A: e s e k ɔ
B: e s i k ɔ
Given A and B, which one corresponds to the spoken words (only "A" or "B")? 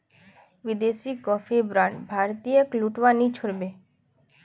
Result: B